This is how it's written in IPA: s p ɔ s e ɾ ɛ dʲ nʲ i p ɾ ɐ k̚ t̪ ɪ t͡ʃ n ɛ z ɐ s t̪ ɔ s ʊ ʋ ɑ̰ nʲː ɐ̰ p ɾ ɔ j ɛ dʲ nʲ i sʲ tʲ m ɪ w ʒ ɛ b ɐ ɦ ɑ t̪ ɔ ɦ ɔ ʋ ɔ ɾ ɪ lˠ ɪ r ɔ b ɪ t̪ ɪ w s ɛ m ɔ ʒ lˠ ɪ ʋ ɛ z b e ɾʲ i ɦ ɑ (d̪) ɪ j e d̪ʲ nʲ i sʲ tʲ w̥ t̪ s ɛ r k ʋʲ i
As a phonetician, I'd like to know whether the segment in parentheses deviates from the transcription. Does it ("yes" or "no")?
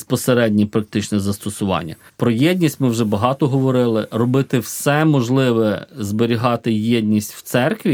yes